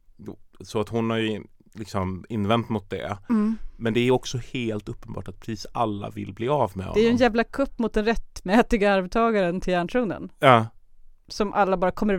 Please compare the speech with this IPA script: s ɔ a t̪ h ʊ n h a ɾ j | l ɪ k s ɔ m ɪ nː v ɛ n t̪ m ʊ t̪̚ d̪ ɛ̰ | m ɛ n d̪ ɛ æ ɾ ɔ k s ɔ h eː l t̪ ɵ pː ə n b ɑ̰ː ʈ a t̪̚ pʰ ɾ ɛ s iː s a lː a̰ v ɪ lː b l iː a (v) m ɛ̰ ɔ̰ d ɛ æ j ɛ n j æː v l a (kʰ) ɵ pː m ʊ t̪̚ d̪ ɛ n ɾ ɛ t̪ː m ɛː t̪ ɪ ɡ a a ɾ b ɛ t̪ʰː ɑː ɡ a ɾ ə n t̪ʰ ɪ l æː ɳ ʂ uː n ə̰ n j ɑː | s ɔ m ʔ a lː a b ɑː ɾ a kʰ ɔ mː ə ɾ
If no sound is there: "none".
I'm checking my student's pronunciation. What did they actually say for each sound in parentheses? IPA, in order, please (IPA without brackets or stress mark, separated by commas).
v, kʰ